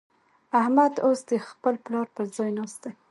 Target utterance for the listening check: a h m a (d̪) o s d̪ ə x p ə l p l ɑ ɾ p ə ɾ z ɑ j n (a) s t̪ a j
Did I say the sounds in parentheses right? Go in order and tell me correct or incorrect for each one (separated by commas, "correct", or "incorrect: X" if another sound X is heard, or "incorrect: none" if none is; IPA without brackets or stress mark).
correct, incorrect: ɑ